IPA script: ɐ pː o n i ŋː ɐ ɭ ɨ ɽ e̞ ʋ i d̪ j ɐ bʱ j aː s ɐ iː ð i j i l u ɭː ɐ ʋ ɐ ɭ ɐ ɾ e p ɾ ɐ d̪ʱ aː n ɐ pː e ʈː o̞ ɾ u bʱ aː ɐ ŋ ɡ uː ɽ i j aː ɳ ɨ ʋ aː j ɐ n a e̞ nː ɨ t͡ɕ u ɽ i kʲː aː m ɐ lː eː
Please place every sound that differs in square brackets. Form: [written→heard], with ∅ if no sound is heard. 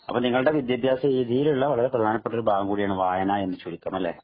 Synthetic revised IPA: ɐ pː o n i ŋː ɐ ɭ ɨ ɽ e̞ ʋ i d̪ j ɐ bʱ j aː s ɐ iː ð i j i l u ɭː ɐ ʋ ɐ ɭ ɐ ɾ e p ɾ ɐ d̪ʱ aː n ɐ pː e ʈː o̞ ɾ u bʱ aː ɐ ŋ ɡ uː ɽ i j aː ɳ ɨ ʋ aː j ɐ n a e̞ nː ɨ t͡ɕ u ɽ i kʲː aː m ɐ lː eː